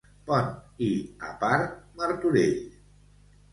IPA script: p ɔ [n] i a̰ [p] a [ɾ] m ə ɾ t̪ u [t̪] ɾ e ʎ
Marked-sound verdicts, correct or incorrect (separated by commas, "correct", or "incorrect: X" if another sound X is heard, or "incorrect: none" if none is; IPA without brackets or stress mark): correct, correct, correct, incorrect: none